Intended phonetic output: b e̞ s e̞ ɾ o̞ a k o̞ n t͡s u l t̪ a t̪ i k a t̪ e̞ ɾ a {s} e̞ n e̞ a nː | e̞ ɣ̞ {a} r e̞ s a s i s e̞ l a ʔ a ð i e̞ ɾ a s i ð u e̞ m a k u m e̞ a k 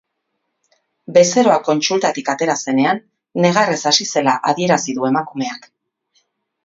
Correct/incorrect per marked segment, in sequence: correct, correct

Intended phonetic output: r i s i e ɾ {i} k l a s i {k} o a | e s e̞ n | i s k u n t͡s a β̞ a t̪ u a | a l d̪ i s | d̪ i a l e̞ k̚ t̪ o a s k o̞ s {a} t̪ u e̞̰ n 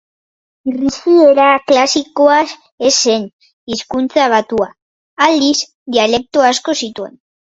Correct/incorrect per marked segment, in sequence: incorrect: a, correct, incorrect: i

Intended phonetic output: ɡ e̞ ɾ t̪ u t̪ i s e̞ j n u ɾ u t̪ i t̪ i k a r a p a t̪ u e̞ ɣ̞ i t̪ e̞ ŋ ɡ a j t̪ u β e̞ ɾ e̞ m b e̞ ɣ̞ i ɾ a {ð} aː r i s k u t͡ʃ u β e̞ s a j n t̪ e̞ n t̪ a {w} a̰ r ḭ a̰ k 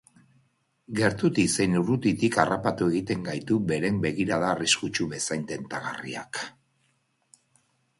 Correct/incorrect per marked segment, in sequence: correct, incorrect: ɣ

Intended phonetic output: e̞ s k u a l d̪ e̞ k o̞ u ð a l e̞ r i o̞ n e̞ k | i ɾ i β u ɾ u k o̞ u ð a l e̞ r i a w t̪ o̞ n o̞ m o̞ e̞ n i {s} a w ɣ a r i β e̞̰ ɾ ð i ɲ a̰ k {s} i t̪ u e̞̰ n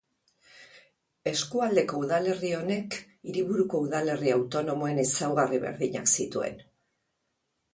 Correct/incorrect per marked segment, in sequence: correct, correct

